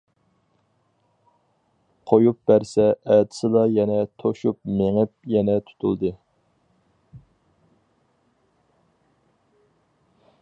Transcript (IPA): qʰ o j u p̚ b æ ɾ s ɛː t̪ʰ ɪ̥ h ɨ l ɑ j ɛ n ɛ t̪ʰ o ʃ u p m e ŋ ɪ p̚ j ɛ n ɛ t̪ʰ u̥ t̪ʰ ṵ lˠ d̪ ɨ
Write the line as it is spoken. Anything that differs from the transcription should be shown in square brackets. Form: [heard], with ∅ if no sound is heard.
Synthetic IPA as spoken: qʰ o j u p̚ b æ ɾ s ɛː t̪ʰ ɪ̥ [s] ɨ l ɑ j ɛ n ɛ t̪ʰ o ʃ u p m e ŋ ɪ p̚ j ɛ n ɛ t̪ʰ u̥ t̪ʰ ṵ lˠ d̪ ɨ